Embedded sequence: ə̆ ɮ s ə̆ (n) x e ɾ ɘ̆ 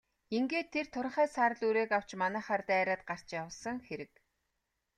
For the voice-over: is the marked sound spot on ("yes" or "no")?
no